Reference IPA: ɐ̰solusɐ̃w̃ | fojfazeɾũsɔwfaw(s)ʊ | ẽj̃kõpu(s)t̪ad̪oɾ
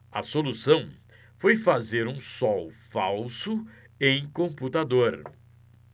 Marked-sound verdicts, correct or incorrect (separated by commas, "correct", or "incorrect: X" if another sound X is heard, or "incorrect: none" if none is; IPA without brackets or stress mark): correct, incorrect: none